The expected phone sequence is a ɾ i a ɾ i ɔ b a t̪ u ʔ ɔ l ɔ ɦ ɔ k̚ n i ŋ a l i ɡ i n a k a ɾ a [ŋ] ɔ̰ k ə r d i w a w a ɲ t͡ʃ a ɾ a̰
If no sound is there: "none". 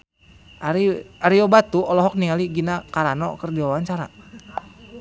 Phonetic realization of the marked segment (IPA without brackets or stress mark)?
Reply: n